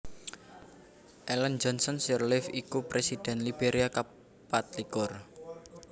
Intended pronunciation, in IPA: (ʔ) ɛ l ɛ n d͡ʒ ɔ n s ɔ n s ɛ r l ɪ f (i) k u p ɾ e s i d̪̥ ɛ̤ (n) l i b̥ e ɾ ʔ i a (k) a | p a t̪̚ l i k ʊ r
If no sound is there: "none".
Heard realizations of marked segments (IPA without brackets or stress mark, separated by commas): ʔ, i, n, k